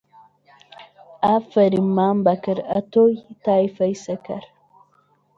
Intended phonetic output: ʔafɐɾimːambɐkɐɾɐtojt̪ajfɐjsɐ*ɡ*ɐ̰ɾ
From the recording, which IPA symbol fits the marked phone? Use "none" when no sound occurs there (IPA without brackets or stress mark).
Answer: k